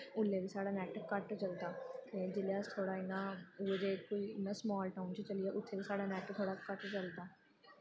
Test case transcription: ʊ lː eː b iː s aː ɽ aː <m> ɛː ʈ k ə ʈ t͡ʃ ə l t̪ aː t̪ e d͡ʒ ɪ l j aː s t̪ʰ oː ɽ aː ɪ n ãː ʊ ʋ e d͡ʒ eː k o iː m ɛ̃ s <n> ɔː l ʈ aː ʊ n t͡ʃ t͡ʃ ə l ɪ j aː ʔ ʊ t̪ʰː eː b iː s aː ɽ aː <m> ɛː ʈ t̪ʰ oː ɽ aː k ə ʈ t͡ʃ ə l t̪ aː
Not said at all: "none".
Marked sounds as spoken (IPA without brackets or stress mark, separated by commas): n, m, n